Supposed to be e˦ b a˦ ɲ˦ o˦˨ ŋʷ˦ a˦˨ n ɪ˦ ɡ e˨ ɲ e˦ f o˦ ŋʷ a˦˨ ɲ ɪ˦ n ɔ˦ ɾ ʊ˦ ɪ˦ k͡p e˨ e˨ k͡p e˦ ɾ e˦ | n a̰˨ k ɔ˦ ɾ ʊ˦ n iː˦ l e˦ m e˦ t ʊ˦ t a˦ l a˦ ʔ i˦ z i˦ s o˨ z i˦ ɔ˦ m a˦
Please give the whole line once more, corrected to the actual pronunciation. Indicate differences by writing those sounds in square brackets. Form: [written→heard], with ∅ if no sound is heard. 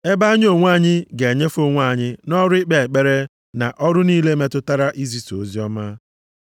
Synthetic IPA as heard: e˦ b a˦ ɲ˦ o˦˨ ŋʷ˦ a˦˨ [n→ɲ] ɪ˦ ɡ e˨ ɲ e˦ f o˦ ŋʷ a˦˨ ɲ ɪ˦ n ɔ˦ ɾ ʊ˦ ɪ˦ k͡p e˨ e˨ k͡p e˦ ɾ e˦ | n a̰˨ [k→ʔ] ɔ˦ ɾ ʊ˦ n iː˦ l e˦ m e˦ t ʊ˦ t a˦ [l→ɾ] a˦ ʔ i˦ z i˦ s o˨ z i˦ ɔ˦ m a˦